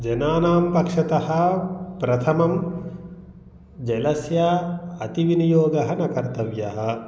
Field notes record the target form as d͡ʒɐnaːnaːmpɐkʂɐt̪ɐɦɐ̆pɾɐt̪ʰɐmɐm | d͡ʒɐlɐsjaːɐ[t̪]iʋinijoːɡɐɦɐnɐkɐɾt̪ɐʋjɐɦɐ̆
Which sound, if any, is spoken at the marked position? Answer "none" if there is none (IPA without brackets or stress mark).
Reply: t̪